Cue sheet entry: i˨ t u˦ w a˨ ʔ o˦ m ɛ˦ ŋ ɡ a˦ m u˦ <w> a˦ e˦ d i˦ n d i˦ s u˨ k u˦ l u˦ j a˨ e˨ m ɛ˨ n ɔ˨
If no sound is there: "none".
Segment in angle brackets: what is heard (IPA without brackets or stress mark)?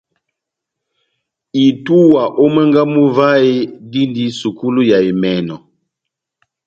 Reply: v